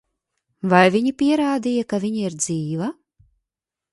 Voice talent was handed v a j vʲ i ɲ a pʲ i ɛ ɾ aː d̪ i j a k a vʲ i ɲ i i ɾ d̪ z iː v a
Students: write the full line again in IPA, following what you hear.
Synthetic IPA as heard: v a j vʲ i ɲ i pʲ i ɛ ɾ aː d̪ i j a k a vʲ i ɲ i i ɾ d̪ z iː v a